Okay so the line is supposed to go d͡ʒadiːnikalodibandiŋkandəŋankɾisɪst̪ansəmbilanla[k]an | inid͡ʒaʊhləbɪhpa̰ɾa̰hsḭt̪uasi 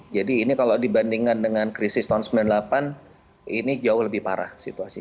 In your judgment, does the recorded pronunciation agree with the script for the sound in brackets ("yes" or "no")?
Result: no